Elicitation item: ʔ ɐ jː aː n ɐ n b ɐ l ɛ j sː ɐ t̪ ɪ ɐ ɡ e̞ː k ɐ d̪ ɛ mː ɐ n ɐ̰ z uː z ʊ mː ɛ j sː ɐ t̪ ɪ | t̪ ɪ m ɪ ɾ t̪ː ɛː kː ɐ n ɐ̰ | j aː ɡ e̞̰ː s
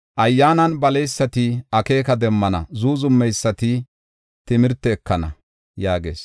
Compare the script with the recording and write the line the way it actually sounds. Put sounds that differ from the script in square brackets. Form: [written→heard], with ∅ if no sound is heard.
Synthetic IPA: ʔ ɐ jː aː n ɐ n b ɐ l ɛ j sː ɐ t̪ ɪ ɐ [ɡ→k] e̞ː k ɐ d̪ ɛ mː ɐ n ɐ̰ z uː z ʊ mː ɛ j sː ɐ t̪ ɪ | t̪ ɪ m ɪ ɾ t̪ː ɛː kː ɐ n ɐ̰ | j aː ɡ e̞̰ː s